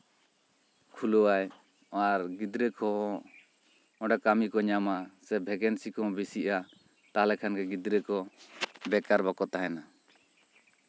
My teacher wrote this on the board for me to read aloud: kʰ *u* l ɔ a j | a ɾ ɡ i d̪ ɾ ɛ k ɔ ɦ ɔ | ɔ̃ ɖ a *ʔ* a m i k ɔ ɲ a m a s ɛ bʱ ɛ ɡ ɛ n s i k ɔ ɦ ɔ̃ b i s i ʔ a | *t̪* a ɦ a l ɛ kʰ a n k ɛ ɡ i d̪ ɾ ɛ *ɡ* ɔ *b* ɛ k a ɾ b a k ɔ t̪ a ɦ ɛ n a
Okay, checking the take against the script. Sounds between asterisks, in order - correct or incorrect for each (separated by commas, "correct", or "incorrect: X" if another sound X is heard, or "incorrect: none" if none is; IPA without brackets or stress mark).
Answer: correct, incorrect: k, correct, incorrect: k, correct